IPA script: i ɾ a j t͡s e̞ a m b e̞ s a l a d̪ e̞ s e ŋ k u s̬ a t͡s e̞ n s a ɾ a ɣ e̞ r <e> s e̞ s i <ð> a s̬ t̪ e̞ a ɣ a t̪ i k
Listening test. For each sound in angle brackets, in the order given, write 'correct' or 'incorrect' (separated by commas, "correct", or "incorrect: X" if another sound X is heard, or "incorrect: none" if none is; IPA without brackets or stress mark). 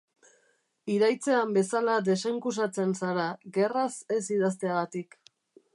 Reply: incorrect: a, correct